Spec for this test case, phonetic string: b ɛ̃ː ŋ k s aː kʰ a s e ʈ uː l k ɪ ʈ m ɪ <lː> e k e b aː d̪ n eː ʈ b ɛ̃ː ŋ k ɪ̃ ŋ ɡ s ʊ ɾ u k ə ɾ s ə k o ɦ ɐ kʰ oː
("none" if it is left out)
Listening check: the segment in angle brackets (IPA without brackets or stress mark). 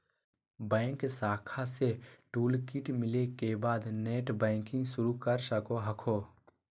l